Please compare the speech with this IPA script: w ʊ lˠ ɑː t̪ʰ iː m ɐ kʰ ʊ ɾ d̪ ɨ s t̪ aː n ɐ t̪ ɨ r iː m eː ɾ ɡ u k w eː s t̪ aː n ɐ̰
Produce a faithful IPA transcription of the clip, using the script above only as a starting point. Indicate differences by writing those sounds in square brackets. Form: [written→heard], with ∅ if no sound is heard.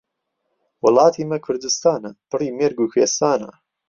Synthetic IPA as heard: w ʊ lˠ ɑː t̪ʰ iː m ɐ kʰ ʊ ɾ d̪ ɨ s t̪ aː n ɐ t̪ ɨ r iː m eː ɾ ɡ u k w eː s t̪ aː n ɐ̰